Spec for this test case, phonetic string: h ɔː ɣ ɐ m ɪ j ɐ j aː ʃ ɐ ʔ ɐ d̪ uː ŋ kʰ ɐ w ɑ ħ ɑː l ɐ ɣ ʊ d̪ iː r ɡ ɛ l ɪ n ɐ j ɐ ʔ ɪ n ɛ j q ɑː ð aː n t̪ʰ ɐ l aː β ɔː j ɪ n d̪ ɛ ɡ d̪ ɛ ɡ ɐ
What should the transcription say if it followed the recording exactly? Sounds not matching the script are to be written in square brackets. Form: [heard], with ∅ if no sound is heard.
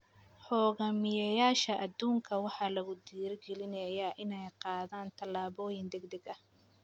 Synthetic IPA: [ħ] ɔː ɣ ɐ m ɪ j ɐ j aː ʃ ɐ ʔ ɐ d̪ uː ŋ kʰ ɐ w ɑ ħ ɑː l ɐ ɣ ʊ d̪ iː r ɡ ɛ l ɪ n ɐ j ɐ ʔ ɪ n ɛ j q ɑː ð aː n t̪ʰ ɐ l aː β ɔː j ɪ n d̪ ɛ ɡ d̪ ɛ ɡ ɐ